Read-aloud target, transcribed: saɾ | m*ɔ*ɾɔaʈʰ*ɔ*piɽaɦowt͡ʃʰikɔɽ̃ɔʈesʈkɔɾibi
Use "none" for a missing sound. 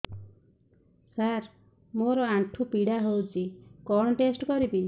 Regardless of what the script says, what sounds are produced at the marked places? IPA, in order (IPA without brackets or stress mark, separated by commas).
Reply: o, u